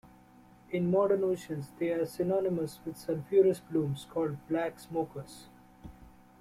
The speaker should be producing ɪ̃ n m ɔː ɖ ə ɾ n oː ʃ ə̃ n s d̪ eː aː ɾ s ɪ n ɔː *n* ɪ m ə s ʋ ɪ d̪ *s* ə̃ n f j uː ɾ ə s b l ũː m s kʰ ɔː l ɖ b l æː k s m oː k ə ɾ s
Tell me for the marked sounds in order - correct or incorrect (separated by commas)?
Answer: correct, correct